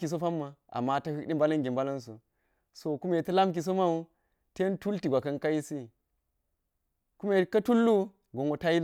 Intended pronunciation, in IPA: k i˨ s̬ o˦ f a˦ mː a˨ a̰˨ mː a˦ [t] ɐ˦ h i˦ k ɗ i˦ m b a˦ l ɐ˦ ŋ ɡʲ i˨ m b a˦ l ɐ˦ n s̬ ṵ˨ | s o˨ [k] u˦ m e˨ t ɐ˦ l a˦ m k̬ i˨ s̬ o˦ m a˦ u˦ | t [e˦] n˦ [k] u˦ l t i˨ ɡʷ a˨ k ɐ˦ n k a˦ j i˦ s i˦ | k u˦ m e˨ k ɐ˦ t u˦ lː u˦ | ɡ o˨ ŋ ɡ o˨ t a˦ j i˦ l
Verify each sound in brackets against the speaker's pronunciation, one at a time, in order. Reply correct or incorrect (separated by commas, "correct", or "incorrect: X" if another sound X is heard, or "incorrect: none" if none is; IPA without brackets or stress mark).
correct, correct, correct, incorrect: t